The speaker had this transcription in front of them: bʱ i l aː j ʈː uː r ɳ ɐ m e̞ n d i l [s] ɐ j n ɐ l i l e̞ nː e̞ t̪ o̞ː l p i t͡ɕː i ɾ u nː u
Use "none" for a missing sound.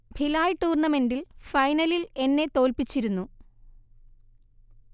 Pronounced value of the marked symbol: f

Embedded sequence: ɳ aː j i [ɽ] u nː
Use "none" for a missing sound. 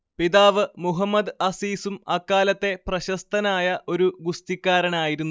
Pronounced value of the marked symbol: ɾ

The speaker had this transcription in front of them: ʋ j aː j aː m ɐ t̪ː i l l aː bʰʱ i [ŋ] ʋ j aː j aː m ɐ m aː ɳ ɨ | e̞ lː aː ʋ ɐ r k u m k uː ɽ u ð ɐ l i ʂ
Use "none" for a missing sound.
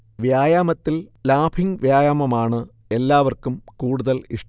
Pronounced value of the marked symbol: ŋ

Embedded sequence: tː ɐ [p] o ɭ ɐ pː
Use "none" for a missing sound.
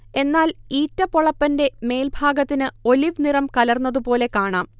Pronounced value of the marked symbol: p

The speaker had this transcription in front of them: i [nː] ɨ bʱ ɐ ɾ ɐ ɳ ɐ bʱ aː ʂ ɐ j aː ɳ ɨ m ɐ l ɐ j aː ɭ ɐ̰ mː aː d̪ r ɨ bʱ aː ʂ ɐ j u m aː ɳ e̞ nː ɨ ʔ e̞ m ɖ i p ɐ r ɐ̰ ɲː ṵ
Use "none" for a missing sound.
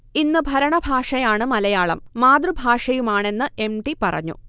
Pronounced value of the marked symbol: nː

